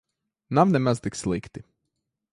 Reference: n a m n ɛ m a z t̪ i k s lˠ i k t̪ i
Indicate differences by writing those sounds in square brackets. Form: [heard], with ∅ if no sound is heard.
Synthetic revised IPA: n a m n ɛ m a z t̪ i k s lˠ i k t̪ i

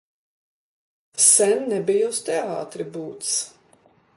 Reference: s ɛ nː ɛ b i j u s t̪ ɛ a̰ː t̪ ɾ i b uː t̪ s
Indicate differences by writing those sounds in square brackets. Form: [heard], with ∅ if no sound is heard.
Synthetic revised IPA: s ɛ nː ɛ b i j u s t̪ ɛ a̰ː t̪ ɾ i b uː t̪ s

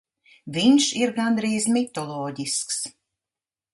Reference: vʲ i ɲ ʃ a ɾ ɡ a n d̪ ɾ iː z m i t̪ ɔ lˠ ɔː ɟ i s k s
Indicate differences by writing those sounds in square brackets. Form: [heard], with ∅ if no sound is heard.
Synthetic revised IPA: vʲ i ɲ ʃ [i] ɾ ɡ a n d̪ ɾ iː z m i t̪ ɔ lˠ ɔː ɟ i s k s

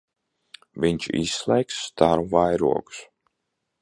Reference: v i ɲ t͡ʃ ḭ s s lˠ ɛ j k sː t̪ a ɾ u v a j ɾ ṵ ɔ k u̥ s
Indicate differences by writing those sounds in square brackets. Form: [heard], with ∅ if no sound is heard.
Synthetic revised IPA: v i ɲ t͡ʃ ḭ s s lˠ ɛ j k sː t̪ a ɾ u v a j ɾ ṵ ɔ k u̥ s

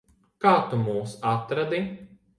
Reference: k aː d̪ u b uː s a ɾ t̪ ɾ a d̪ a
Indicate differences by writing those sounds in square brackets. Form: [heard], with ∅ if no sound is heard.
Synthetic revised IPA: k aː [t̪] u [m] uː s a [∅] t̪ ɾ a d̪ [i]

